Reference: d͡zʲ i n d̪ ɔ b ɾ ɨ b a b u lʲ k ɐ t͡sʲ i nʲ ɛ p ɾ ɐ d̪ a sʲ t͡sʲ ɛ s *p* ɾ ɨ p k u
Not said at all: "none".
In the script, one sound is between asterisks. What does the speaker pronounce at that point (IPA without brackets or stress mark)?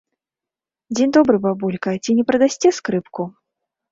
k